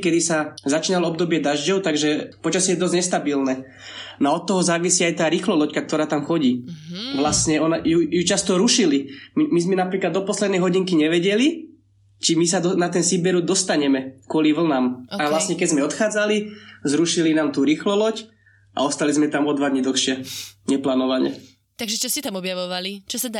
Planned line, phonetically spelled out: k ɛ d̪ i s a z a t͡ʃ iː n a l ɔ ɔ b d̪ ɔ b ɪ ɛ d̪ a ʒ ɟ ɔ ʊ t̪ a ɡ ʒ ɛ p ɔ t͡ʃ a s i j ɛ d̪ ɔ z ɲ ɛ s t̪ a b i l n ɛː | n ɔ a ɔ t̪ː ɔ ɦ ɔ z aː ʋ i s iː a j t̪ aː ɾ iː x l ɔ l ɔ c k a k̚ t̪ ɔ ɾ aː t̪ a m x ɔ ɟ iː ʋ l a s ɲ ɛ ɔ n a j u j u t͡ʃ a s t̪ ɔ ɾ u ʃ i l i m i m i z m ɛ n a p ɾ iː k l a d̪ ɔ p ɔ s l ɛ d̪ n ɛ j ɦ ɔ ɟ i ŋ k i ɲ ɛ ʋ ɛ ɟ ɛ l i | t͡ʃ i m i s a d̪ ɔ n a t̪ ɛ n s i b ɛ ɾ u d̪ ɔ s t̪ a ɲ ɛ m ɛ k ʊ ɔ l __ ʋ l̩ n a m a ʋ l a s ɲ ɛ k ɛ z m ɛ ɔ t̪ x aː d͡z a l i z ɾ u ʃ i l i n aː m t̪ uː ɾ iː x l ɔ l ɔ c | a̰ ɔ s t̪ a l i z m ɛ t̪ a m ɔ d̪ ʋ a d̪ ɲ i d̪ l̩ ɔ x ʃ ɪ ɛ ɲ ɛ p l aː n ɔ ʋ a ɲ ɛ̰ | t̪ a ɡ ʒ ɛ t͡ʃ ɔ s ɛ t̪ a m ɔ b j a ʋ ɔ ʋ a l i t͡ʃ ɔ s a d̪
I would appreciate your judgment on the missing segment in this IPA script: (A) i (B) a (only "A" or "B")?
A